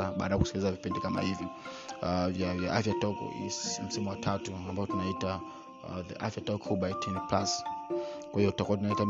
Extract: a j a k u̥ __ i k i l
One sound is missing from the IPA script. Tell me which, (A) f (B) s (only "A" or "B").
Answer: B